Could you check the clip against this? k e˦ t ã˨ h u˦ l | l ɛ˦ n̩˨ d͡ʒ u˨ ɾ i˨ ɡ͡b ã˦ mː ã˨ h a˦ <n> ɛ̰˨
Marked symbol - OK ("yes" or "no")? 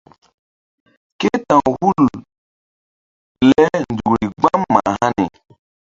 yes